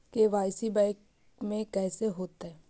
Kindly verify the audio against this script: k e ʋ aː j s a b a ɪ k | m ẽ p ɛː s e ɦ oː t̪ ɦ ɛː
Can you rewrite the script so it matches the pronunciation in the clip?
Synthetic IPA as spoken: k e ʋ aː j s i b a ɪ k | m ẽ k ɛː s e ɦ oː t̪ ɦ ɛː